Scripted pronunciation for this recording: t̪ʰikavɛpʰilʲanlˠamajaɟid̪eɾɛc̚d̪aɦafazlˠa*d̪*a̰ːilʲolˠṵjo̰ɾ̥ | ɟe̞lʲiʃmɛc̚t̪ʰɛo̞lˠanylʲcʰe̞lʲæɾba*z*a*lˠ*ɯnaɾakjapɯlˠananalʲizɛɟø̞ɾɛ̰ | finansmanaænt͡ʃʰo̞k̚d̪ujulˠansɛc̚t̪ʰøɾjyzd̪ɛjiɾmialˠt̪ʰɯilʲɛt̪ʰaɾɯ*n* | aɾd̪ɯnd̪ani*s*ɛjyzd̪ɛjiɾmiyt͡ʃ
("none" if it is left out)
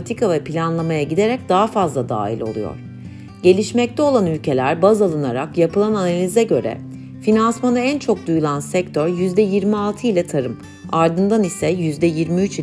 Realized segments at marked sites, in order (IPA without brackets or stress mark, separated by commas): d̪, z, lˠ, m, s